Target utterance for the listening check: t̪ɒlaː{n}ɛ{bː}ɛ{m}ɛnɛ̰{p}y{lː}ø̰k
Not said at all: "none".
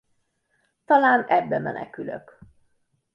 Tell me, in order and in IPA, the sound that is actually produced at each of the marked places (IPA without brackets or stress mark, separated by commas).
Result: n, bː, m, k, l